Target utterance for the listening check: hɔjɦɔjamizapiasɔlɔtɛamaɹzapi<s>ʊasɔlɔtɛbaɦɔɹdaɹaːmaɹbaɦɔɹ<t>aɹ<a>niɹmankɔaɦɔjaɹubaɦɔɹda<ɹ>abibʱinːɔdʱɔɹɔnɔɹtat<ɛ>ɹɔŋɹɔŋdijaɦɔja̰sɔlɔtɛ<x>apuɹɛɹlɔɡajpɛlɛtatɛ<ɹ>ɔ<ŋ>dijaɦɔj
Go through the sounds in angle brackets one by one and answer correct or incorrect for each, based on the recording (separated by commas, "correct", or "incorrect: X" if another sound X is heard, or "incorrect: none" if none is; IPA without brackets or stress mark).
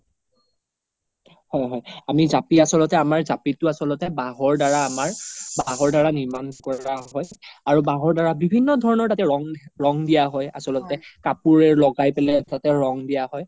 incorrect: t, incorrect: d, correct, correct, correct, incorrect: k, correct, correct